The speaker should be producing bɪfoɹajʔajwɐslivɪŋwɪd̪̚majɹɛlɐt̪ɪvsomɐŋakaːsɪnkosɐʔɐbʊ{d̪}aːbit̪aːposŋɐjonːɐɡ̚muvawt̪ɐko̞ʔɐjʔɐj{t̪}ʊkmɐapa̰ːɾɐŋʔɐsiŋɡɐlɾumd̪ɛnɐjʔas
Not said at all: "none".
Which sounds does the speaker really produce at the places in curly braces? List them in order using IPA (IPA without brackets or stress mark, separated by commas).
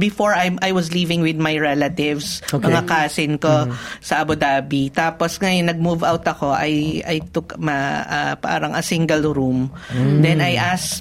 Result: d̪, t̪